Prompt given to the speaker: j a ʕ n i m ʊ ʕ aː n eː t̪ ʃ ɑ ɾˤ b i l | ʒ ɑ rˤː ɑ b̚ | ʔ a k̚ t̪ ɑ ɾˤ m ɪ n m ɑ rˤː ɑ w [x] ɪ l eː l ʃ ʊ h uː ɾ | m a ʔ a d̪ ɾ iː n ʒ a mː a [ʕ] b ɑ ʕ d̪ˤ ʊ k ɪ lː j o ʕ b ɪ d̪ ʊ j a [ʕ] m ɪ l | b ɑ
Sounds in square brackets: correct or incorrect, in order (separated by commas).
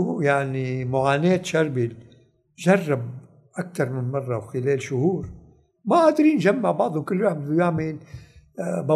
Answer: correct, correct, correct